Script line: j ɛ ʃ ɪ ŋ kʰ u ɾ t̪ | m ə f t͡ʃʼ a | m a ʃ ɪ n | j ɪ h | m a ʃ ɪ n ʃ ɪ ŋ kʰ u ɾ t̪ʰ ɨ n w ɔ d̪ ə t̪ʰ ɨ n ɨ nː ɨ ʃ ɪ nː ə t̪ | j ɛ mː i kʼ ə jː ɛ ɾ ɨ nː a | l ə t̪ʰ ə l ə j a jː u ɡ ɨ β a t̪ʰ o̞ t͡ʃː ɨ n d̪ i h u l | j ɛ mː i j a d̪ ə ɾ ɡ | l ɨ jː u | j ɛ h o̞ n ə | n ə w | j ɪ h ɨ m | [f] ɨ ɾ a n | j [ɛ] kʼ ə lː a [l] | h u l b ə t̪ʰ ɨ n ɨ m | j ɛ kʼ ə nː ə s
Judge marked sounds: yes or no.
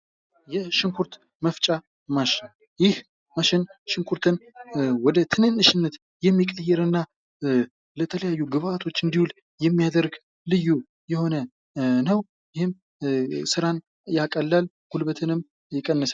no, no, yes

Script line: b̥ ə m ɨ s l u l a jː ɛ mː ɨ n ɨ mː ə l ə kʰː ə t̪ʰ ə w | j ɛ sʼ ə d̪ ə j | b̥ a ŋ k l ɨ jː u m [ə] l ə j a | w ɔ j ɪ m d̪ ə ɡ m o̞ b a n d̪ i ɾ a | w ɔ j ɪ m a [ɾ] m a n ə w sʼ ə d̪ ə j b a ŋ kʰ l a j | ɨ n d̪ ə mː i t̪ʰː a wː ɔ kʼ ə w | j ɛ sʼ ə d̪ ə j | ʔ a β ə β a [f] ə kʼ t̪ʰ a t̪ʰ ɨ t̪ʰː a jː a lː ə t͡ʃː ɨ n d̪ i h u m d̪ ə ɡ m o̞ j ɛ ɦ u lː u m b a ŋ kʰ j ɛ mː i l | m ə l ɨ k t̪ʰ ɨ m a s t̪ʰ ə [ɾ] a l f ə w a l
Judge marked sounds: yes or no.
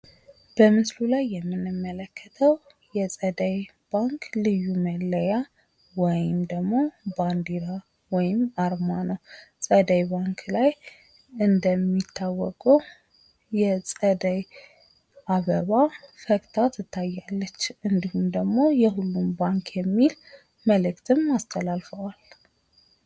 yes, yes, yes, no

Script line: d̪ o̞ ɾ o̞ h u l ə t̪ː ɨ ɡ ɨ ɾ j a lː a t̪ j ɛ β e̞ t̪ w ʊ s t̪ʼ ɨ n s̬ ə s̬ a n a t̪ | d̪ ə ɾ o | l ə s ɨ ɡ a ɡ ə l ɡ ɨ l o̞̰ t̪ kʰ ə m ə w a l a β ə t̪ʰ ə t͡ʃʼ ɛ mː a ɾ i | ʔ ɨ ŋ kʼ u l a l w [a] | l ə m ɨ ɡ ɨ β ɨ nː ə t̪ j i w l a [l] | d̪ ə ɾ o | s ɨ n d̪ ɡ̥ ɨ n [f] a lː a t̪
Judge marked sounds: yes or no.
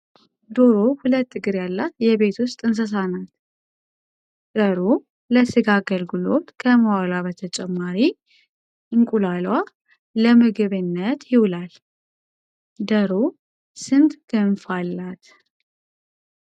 yes, yes, yes

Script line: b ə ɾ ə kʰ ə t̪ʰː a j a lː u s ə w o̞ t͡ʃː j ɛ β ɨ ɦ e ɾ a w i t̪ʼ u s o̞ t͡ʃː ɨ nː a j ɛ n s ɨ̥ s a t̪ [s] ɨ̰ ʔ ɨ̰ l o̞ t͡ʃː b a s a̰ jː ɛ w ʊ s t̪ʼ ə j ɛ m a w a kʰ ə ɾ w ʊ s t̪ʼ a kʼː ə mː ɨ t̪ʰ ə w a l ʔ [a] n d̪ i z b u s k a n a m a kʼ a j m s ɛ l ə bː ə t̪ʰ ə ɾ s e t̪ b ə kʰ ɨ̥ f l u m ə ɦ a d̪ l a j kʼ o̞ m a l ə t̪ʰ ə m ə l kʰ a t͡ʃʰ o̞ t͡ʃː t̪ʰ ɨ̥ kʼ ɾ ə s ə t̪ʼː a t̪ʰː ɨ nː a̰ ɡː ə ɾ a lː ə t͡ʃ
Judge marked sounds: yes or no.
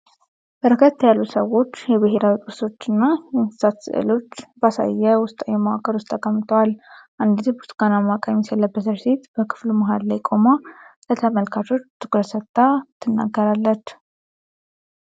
yes, yes

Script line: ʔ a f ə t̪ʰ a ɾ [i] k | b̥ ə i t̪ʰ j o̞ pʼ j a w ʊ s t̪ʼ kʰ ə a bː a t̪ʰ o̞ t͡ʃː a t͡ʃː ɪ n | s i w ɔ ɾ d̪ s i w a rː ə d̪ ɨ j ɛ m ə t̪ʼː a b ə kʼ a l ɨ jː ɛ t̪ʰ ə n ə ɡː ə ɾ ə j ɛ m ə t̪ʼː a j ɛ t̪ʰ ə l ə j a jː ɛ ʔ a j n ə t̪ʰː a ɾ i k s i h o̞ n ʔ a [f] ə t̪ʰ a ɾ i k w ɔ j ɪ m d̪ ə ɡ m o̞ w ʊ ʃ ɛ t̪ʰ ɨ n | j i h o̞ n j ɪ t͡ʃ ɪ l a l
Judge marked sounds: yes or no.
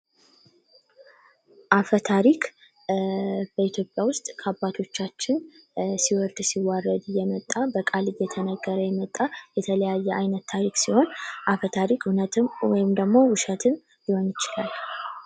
yes, yes

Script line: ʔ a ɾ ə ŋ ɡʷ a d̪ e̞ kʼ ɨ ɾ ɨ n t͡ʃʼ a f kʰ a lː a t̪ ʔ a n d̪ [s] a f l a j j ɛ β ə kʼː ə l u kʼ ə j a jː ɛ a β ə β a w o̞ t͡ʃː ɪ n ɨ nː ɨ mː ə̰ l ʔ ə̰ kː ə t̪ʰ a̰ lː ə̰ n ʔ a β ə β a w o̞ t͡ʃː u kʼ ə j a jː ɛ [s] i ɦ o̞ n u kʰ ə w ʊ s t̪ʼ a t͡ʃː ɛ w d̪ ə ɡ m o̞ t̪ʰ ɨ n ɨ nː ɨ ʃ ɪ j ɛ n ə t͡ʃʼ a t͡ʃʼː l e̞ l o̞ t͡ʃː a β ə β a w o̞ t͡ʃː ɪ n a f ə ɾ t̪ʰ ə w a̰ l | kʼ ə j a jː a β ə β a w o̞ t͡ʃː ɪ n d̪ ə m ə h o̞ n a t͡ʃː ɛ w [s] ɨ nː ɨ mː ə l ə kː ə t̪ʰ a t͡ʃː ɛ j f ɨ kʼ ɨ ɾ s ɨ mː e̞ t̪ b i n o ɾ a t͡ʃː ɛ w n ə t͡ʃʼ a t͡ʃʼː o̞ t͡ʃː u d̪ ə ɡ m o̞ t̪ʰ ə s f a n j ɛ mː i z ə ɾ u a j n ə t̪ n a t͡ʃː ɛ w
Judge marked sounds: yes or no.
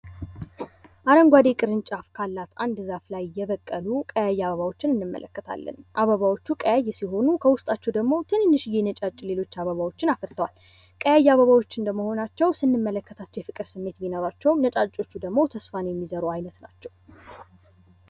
no, yes, yes

